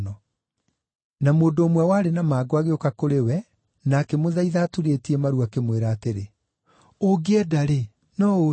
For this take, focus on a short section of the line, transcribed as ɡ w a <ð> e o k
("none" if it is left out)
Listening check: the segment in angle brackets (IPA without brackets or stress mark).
ɣ